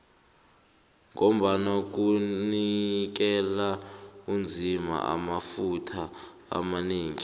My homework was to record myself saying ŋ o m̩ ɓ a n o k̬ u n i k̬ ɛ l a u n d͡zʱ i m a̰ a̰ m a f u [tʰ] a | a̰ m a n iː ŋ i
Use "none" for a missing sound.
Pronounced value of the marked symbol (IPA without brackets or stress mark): tʰ